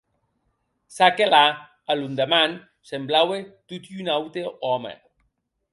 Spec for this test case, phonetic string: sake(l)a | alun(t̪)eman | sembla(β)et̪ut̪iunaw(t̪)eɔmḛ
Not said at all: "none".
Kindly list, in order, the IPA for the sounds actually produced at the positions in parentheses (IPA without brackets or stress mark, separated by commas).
l, d̪, w, t̪